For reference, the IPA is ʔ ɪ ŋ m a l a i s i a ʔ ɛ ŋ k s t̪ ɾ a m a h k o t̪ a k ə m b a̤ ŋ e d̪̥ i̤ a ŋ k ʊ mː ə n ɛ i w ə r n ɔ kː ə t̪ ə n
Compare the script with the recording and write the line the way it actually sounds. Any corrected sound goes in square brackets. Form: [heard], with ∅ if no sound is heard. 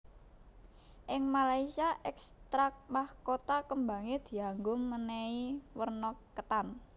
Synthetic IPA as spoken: ʔ ɪ ŋ m a l a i s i a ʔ ɛ [∅] k s t̪ ɾ a m a h k o t̪ a k ə m b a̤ ŋ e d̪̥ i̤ a ŋ [ɡ] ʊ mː ə n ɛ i w ə r n ɔ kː ə t̪ [a] n